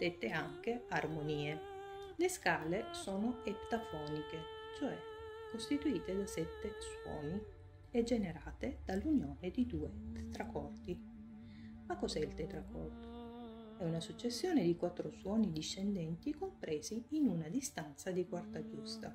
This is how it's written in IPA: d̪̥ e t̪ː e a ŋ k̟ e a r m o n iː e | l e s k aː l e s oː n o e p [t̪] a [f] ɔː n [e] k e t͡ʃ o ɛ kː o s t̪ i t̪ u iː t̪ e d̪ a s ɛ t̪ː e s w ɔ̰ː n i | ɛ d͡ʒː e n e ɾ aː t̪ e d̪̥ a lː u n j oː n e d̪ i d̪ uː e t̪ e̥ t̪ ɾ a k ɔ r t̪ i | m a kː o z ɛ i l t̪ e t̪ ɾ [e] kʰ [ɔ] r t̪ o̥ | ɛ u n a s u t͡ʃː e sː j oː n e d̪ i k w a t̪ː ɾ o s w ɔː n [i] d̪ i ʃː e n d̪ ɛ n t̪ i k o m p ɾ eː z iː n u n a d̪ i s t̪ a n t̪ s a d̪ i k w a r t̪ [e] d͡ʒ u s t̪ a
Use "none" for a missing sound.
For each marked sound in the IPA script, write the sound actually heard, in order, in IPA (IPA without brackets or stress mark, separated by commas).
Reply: t̪, f, i, a, ɔ, i, a